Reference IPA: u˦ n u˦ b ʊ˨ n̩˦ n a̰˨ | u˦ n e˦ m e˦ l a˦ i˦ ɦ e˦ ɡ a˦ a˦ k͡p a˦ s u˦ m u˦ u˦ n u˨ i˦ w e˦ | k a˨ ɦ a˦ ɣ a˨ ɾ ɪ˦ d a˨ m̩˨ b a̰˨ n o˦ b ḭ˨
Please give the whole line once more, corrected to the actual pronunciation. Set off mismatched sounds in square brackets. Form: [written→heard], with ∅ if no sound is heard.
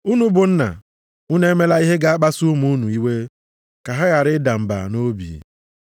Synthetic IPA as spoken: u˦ n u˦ b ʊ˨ n̩˦ n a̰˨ | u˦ n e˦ m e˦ l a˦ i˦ ɦ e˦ ɡ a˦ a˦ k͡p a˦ s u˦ m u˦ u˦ n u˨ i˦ w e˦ | k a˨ ɦ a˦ ɣ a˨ ɾ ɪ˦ d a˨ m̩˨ b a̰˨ n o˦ b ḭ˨